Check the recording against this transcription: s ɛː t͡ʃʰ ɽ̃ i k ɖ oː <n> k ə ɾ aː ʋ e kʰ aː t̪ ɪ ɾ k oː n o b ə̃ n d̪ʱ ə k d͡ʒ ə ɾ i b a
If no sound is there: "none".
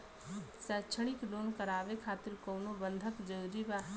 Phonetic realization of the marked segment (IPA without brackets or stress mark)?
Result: n